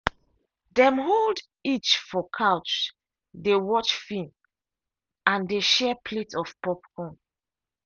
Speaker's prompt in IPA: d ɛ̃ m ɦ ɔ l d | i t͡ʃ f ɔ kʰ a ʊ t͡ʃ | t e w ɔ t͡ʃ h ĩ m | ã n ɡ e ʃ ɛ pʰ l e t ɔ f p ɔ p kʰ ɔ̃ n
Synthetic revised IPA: d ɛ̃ m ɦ o l d | i t͡ʃ f ɔ kʰ a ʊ t͡ʃ | d e w ɔ t͡ʃ f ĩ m | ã n d e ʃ ɛ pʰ l e t ɔ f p ɔ p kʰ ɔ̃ n